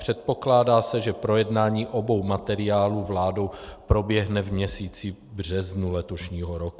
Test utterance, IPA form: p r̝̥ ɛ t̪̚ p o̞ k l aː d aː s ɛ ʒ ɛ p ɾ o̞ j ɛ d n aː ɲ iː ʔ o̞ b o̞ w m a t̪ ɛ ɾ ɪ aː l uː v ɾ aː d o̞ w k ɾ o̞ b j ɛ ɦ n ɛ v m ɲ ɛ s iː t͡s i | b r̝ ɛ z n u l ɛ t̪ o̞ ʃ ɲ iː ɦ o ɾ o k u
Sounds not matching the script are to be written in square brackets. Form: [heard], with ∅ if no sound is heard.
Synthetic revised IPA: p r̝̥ ɛ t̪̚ p o̞ k l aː d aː s ɛ ʒ ɛ p ɾ o̞ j ɛ d n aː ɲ iː ʔ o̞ b o̞ w m a t̪ ɛ ɾ ɪ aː l uː v [l] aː d o̞ w [p] ɾ o̞ b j ɛ ɦ n ɛ v m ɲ ɛ s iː t͡s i | b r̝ ɛ z n u l ɛ t̪ o̞ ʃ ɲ iː ɦ o ɾ o k u

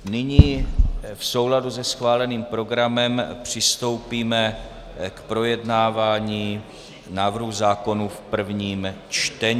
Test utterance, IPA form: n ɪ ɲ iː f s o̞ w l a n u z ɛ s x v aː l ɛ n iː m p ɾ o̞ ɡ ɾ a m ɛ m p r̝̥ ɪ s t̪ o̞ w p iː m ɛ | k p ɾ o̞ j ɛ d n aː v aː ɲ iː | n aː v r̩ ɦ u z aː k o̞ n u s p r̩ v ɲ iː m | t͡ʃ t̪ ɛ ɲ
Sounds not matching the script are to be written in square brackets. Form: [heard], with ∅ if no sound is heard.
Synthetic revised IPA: n ɪ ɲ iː f s o̞ w l a [d] u z ɛ s x v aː l ɛ n iː m p ɾ o̞ ɡ ɾ a m ɛ m p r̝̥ ɪ s t̪ o̞ w p iː m ɛ | k p ɾ o̞ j ɛ d n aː v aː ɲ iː | n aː v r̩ ɦ u z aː k o̞ n u [f] p r̩ v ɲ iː m | t͡ʃ t̪ ɛ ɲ

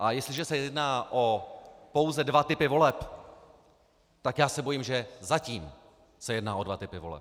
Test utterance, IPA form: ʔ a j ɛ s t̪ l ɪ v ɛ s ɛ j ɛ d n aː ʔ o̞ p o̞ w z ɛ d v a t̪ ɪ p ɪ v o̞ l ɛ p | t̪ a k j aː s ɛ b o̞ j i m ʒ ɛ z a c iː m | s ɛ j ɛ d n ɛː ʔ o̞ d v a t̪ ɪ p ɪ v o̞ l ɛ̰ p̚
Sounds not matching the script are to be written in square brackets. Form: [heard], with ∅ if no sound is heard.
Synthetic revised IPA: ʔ a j ɛ s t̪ l ɪ [ʒ] ɛ s ɛ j ɛ d n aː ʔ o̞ p o̞ w z ɛ d v a t̪ ɪ p ɪ v o̞ l ɛ p | t̪ a k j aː s ɛ b o̞ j i m ʒ ɛ z a c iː m | s ɛ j ɛ d n [aː] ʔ o̞ d v a t̪ ɪ p ɪ v o̞ l ɛ̰ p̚

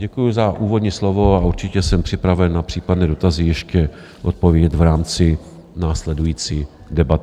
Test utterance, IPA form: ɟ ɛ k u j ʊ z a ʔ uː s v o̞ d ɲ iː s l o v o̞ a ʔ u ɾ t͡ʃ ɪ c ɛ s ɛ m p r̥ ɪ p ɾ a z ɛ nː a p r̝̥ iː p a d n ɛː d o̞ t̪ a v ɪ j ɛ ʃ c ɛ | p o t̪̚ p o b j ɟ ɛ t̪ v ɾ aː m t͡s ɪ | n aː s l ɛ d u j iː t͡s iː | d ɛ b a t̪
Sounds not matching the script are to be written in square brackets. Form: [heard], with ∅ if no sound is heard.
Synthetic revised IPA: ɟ ɛ k u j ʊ z a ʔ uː [∅] v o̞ d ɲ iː s l o v o̞ a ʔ u ɾ t͡ʃ ɪ c ɛ s ɛ m p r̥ ɪ p ɾ a [v] ɛ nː a p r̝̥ iː p a d n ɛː d o̞ t̪ a [z] ɪ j ɛ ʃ c ɛ | [ʔ] o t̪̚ p o [v] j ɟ ɛ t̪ v ɾ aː m t͡s ɪ | n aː s l ɛ d u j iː t͡s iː | d ɛ b a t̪

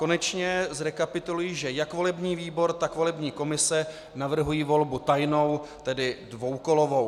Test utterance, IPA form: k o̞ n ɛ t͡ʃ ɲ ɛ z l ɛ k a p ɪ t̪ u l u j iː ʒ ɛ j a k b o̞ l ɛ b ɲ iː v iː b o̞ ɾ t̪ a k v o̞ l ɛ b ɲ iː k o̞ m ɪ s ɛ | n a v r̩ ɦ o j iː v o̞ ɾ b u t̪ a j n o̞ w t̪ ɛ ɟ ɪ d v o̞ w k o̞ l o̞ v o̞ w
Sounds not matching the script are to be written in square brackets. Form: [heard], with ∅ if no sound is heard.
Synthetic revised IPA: k o̞ n ɛ t͡ʃ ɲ ɛ z [ɾ] ɛ k a p ɪ t̪ u l u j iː ʒ ɛ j a k [v] o̞ l ɛ b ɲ iː v iː b o̞ ɾ t̪ a k v o̞ l ɛ b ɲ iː k o̞ m ɪ s ɛ | n a v r̩ ɦ [u] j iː v o̞ [l] b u t̪ a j n o̞ w t̪ ɛ [d] ɪ d v o̞ w k o̞ l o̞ v o̞ w

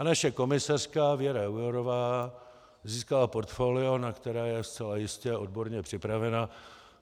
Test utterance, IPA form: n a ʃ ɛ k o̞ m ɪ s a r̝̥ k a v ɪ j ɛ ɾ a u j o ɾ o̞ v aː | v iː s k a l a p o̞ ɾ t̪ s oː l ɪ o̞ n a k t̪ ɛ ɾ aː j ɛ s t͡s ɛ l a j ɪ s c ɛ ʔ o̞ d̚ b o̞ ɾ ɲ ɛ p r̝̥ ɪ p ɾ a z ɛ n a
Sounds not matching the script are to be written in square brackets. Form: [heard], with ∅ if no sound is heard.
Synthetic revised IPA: n a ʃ ɛ k o̞ m ɪ s a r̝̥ k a v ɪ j ɛ ɾ a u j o ɾ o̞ v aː | [z] iː s k a l a p o̞ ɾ t̪ [f] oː l ɪ o̞ n a k t̪ ɛ ɾ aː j ɛ s t͡s ɛ l a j ɪ s c ɛ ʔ o̞ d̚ b o̞ ɾ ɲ ɛ p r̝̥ ɪ p ɾ a [v] ɛ n a

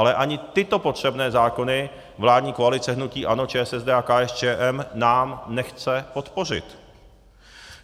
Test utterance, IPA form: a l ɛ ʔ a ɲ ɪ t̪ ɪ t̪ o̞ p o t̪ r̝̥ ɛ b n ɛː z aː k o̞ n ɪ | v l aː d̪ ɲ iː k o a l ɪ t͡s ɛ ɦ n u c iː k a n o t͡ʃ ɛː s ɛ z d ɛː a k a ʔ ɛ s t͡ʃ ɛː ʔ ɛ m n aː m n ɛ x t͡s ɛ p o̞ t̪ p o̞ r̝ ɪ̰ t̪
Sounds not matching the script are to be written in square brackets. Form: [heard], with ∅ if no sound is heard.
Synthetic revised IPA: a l ɛ ʔ a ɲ ɪ t̪ ɪ t̪ o̞ p o t̪ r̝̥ ɛ b n ɛː z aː k o̞ n ɪ | v l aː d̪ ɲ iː k o a l ɪ t͡s ɛ ɦ n u c iː [ʔ] a n o t͡ʃ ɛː s ɛ z d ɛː a k a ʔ ɛ s t͡ʃ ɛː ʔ ɛ m n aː m n ɛ x t͡s ɛ p o̞ t̪ p o̞ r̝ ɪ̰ t̪

